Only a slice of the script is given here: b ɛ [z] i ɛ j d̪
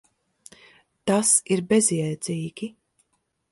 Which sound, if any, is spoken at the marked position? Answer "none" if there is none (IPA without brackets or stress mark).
z